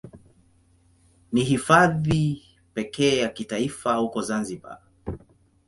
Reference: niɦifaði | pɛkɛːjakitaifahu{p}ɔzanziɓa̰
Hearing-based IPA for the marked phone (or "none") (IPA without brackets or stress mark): k